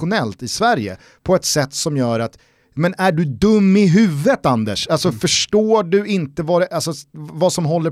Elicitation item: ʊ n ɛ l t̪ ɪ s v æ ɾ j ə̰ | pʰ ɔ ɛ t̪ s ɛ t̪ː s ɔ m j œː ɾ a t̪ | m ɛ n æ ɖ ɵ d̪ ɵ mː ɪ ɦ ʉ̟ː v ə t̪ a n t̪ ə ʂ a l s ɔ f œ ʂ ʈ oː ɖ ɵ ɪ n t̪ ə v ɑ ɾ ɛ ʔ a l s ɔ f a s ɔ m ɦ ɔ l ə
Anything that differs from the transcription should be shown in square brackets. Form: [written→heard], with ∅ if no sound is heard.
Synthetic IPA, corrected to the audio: ʊ n ɛ l t̪ ɪ s v æ ɾ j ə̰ | pʰ ɔ ɛ t̪ s ɛ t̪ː s ɔ m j œː ɾ a t̪ | m ɛ n æ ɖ ɵ d̪ ɵ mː ɪ ɦ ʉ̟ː v ə t̪ a n [t̪→d̪] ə ʂ a l s ɔ f œ ʂ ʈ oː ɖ ɵ ɪ n t̪ ə v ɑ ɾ ɛ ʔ a l s ɔ [f→v] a s ɔ m ɦ ɔ [l→lː] ə